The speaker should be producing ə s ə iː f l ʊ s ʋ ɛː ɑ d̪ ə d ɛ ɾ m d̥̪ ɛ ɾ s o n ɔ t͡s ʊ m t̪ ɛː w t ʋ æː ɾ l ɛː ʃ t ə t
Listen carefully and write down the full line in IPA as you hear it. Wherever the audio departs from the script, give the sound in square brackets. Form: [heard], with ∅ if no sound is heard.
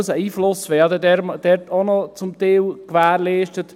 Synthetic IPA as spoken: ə s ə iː f l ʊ s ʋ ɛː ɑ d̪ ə d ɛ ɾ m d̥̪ ɛ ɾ [t] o n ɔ t͡s ʊ m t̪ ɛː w [k] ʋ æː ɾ l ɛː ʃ t ə t

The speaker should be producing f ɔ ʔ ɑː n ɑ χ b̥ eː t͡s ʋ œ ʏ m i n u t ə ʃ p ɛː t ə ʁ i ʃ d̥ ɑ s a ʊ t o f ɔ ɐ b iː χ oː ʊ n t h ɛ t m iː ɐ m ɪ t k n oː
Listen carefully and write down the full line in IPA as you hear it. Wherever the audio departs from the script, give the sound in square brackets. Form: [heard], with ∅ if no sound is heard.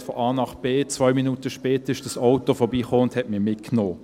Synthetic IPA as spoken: f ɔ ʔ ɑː n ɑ χ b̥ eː t͡s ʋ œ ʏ m i n u t ə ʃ p ɛː t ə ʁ [ɪ] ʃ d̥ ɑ s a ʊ t o f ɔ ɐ b iː χ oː ʊ n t h ɛ t m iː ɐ m ɪ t k n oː

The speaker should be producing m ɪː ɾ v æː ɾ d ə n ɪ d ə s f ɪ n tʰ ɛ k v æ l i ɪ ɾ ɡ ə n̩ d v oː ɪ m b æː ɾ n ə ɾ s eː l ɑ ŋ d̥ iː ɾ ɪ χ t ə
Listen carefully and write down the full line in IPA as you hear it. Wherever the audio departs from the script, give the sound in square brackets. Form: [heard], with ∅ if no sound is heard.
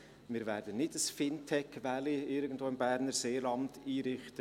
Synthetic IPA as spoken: m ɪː ɾ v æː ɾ d ə n ɪ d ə s f ɪ n tʰ ɛ k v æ l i ɪ ɾ ɡ ə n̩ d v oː ɪ m b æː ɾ n ə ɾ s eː l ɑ [n] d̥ iː ɾ ɪ χ t ə

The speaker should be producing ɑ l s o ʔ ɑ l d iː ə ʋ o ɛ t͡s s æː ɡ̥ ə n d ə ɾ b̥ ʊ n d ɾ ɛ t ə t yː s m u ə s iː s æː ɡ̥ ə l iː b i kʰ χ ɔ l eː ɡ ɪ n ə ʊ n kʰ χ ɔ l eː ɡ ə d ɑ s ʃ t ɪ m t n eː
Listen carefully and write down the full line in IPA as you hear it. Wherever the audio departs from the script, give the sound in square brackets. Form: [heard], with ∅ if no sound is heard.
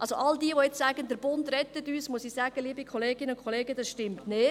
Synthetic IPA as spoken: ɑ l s o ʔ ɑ l d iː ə ʋ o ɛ t͡s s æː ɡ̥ ə n d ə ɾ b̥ ʊ n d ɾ ɛ t ə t yː s m u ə s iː s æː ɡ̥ ə l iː b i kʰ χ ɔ l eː ɡ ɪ n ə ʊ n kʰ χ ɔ l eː ɡ ə d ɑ s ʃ t ɪ m t n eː

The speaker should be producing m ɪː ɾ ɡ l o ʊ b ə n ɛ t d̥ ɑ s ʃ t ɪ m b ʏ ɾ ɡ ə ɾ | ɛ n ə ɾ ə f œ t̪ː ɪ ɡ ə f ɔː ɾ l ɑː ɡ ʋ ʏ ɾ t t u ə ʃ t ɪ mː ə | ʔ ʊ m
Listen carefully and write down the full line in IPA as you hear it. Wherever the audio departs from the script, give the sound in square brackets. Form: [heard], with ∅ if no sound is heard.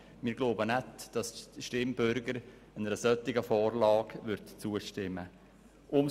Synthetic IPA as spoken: m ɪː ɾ ɡ l o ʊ b ə n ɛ t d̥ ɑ s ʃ t ɪ m b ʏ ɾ ɡ ə ɾ | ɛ n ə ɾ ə [s] œ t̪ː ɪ ɡ ə f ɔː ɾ l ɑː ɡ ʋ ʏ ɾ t [t͡s] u ə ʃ t ɪ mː ə | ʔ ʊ m

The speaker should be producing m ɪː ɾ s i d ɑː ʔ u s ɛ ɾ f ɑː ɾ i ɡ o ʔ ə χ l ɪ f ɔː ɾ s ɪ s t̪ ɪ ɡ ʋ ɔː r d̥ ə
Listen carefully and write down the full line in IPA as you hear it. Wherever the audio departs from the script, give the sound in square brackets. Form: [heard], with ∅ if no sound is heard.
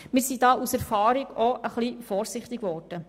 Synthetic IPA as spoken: m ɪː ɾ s i d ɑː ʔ u s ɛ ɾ f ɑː ɾ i ɡ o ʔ ə χ l [i] f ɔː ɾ s ɪ [χ] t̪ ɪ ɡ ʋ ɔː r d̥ ə

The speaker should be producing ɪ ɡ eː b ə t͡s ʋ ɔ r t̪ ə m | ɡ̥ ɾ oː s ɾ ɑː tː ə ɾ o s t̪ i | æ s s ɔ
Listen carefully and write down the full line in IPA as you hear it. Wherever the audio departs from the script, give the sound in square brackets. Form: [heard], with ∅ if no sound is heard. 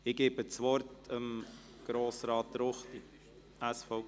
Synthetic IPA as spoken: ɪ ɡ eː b ə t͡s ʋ ɔ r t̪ ə m | ɡ̥ ɾ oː s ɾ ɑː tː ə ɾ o [χ] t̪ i | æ s [f] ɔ

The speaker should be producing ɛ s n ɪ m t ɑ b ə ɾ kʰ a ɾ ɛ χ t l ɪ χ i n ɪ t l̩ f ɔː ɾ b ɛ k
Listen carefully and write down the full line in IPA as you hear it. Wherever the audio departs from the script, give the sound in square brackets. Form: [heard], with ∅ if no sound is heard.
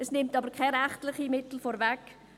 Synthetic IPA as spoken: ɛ s n ɪ m t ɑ b ə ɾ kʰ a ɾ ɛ χ t l ɪ χ i [m] ɪ t l̩ f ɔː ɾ [v] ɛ k

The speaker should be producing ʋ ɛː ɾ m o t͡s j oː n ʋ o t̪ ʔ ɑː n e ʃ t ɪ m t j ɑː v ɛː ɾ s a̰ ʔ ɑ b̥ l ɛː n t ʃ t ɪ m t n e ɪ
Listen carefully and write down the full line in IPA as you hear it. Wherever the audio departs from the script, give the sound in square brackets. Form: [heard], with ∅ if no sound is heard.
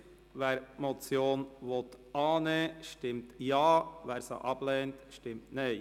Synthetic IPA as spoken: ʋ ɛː ɾ m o t͡s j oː n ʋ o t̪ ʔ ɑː n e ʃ t ɪ m t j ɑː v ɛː ɾ s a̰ ʔ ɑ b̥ l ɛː n t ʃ t ɪ m t n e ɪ

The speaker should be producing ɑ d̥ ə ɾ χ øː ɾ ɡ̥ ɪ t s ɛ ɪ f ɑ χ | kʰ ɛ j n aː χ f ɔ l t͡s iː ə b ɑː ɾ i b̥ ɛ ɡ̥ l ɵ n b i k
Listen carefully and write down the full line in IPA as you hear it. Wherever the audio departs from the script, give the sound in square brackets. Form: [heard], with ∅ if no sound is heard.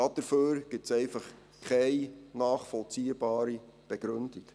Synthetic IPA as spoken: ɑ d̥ ə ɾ [f] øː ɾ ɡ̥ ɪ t s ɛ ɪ f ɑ χ | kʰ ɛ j n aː χ f ɔ l t͡s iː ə b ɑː ɾ i b̥ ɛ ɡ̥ [ɾ] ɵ n [d] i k

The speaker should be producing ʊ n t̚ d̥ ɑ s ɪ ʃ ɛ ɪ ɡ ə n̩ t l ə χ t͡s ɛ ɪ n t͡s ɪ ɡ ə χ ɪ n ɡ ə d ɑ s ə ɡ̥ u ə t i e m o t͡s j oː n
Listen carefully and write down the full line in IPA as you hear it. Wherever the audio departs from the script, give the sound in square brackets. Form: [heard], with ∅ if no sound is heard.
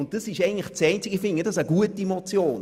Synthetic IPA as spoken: ʊ n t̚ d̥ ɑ s ɪ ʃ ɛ ɪ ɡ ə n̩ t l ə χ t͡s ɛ ɪ n t͡s ɪ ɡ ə [f] ɪ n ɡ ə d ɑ s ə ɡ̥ u ə t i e m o t͡s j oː n

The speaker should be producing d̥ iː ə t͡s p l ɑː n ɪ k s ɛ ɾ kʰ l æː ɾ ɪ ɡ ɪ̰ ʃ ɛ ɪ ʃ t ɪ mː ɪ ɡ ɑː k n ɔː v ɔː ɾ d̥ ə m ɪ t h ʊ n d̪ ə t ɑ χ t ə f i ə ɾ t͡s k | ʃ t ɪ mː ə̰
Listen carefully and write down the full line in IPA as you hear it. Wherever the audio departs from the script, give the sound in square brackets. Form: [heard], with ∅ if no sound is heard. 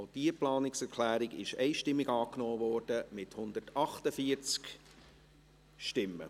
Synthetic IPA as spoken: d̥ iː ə [∅] p l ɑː n ɪ k s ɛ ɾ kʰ l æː ɾ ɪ ɡ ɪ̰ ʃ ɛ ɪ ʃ t ɪ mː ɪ ɡ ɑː k n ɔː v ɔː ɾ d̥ ə m ɪ t h ʊ n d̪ ə t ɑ χ t ə f i ə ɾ t͡s k | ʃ t ɪ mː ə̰

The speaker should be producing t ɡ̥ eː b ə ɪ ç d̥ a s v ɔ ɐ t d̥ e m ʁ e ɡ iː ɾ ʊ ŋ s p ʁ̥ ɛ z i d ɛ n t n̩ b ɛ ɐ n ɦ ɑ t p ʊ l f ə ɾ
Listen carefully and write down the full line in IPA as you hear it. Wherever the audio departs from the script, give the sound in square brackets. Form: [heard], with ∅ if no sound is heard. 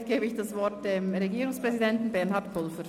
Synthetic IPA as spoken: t ɡ̥ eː b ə ɪ ç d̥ a s v ɔ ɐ t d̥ e m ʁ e ɡ iː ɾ ʊ ŋ s p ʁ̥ ɛ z i d ɛ n t n̩ b ɛ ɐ n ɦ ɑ t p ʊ l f ə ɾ

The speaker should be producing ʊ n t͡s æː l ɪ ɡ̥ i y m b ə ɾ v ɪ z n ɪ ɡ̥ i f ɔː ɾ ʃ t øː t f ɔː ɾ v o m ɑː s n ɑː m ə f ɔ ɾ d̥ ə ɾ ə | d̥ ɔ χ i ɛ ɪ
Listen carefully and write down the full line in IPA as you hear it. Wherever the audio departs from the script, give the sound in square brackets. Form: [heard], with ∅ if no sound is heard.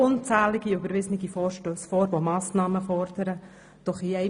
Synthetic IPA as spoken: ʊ n t͡s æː l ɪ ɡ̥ i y [∅] b ə ɾ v ɪ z n ɪ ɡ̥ i f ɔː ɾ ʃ t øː [s] f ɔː ɾ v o m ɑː s n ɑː m ə f ɔ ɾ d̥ ə ɾ ə | d̥ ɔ χ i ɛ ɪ

